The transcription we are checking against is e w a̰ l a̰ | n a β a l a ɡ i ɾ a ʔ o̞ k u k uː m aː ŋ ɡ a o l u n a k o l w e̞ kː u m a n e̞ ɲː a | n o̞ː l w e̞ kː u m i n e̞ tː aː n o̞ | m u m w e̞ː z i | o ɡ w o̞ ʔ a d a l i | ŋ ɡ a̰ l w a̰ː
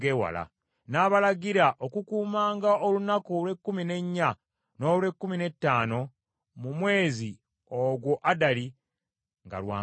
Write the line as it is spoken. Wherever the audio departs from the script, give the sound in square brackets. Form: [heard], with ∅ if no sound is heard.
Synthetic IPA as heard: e w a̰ l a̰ | n a β a l a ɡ i ɾ a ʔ o̞ k u k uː m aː ŋ ɡ a o l u n a k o l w e̞ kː u m [i] n e̞ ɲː a | n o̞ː l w e̞ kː u m i n e̞ tː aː n o̞ | m u m w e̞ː z i | o ɡ w o̞ ʔ a d a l i | ŋ ɡ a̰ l w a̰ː